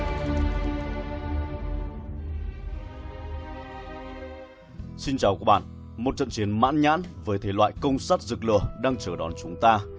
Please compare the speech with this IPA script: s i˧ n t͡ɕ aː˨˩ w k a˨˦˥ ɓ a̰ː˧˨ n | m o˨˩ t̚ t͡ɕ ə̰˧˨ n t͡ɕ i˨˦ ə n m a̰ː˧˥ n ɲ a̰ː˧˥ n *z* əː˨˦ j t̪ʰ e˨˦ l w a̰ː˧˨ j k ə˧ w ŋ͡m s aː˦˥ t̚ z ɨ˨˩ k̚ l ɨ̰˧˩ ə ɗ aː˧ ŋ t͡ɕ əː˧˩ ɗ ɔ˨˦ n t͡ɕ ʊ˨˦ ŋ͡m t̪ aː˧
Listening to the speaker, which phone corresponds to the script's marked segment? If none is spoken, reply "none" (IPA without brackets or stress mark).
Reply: v